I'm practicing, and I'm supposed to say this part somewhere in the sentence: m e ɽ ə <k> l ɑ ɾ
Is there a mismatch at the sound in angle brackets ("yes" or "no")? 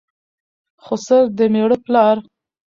yes